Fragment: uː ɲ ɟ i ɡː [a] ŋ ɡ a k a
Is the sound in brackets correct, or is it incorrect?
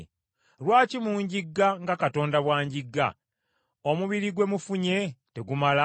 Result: correct